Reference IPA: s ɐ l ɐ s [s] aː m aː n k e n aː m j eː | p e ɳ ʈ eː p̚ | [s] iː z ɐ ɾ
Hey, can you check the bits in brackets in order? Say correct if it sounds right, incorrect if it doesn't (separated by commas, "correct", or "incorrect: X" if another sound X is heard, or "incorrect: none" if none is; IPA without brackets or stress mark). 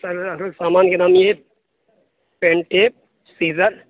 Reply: correct, correct